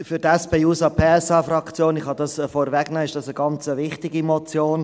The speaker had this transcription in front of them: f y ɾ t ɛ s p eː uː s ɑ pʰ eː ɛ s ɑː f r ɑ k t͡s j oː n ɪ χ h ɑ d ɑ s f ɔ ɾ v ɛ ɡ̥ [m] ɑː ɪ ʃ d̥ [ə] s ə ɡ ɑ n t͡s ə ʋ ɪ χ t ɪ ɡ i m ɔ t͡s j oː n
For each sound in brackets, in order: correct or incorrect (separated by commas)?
incorrect, incorrect